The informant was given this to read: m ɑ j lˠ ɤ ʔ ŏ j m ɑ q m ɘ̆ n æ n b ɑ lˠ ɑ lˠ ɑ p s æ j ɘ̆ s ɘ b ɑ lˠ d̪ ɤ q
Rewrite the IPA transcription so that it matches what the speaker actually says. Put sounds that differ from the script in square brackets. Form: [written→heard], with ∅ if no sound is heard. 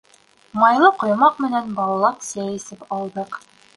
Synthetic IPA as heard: m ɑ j lˠ ɤ [ʔ→q] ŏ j m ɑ q m ɘ̆ n æ n b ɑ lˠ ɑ lˠ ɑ p s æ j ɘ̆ s ɘ [b→p] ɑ lˠ d̪ ɤ q